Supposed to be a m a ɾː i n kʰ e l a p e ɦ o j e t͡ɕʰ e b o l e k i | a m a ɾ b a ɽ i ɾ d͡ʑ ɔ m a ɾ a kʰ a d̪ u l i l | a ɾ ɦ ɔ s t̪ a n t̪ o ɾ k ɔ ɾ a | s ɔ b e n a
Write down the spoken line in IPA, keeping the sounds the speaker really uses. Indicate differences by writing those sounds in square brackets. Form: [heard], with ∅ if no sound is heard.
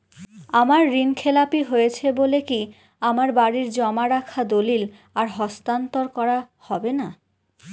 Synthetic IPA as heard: a m a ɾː i n kʰ e l a p [i] ɦ o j e t͡ɕʰ e b o l e k i | a m a ɾ b a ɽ i ɾ d͡ʑ ɔ m a ɾ a kʰ a d̪ [o] l i l | a ɾ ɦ ɔ s t̪ a n t̪ o ɾ k ɔ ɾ a | [h] ɔ b e n a